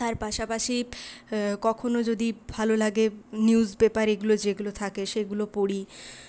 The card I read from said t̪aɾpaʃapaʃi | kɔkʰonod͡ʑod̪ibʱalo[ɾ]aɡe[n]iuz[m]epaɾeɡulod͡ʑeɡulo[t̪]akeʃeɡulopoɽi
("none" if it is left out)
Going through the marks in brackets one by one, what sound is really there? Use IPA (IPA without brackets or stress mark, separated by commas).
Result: l, n, b, t̪ʰ